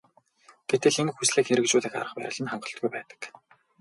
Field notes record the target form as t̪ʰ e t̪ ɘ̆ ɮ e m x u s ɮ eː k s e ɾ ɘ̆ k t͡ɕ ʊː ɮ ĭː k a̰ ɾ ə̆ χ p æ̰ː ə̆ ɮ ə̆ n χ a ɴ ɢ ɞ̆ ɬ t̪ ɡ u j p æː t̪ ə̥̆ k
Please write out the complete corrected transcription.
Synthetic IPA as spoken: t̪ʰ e t̪ ɘ̆ ɮ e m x u s ɮ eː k x e ɾ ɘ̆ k t͡ɕ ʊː ɮ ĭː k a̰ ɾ ə̆ χ p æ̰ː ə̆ ɮ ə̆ n χ a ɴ ɢ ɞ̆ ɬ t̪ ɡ u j p æː t̪ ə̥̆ k